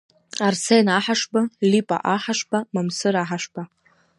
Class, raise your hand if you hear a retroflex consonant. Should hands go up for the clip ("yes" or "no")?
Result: yes